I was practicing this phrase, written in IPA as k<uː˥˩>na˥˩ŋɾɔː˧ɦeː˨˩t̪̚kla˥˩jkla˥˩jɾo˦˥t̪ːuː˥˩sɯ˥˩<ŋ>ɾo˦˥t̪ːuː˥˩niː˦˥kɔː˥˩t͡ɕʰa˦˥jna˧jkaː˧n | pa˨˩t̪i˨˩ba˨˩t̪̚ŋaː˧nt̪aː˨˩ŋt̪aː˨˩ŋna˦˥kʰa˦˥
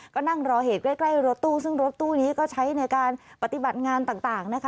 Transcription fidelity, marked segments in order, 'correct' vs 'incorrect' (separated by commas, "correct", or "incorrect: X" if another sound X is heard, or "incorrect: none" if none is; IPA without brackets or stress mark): incorrect: ɔː˥˩, correct